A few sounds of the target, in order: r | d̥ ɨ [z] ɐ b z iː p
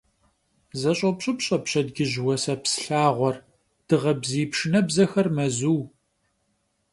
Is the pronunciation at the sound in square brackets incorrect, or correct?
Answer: incorrect